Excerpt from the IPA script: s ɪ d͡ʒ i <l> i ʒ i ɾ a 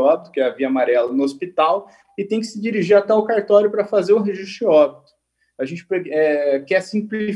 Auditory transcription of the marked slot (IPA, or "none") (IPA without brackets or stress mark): ɾ